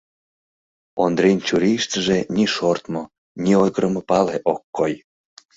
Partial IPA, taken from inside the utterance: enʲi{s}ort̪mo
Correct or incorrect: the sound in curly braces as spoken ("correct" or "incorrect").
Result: incorrect